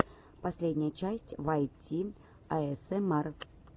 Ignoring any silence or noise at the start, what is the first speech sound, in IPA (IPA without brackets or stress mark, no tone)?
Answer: p